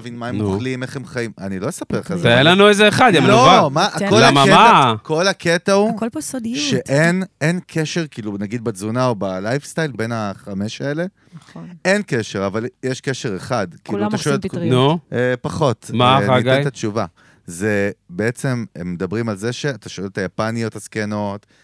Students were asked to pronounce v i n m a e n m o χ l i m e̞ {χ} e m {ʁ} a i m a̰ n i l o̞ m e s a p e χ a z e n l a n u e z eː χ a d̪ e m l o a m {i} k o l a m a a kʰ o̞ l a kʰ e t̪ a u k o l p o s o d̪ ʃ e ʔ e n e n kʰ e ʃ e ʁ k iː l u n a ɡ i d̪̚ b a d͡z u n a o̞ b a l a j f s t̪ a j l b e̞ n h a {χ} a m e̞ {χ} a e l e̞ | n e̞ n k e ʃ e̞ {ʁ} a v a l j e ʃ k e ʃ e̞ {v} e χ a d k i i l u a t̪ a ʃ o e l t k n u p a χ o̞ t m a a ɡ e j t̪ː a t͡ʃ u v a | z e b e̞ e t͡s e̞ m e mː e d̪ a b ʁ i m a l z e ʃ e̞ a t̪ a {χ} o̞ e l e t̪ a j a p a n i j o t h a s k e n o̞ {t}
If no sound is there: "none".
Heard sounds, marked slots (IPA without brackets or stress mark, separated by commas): χ, χ, a, χ, ʃ, ʁ, ʁ, ʃ, t